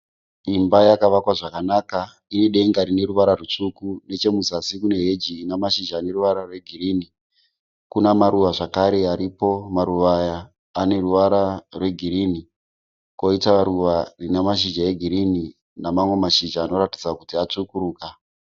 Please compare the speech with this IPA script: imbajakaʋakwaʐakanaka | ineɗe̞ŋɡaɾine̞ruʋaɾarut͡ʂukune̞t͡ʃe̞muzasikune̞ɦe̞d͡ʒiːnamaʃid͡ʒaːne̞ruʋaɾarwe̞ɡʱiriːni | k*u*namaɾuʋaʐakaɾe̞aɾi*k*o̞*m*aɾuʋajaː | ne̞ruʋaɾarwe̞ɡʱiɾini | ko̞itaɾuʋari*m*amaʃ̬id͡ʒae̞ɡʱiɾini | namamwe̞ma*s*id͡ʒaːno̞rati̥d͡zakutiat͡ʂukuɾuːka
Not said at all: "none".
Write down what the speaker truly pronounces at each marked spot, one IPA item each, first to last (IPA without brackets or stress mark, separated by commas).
u, p, m, n, ʃ